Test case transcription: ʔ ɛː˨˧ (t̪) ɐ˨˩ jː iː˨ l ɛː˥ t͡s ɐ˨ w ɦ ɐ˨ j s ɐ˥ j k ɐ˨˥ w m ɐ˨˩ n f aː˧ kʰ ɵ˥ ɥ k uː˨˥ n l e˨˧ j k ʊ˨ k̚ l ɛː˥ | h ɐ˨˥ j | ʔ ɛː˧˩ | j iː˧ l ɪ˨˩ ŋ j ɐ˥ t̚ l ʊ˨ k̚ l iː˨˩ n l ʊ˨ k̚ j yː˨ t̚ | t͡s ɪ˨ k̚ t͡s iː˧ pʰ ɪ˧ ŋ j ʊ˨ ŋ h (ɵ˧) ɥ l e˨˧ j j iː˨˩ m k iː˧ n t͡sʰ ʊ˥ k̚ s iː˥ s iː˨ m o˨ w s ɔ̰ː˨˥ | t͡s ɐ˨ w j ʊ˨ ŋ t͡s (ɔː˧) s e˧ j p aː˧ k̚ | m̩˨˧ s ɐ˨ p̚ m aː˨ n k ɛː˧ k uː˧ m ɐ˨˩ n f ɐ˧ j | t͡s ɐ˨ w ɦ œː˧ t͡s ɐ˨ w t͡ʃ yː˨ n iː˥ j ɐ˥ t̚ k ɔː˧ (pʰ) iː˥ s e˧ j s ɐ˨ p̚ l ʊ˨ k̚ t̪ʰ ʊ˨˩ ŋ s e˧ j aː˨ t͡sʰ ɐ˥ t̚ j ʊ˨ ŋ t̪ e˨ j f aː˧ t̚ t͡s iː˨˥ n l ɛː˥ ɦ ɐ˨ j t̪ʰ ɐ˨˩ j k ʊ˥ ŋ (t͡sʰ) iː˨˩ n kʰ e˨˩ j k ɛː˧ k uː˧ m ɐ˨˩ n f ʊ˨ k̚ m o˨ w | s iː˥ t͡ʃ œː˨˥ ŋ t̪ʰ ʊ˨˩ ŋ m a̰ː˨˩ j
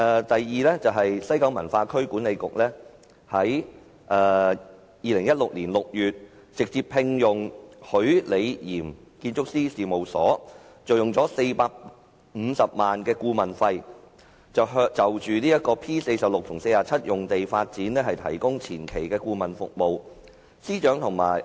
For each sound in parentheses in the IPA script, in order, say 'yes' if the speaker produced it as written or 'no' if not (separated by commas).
yes, no, no, yes, yes